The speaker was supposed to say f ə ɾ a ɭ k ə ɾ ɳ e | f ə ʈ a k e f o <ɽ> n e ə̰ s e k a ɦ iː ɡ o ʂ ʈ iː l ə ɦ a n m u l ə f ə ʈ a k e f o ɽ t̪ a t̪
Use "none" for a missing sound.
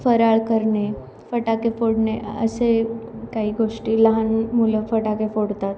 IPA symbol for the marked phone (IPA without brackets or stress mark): ɽ